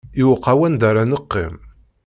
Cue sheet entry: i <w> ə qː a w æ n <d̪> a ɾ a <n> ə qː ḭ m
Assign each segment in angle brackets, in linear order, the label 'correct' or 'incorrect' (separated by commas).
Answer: correct, correct, correct